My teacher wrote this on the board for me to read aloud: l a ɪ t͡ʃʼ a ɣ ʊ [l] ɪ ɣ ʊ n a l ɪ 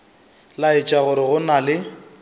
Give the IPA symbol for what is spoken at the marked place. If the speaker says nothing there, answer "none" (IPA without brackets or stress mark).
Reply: ɾ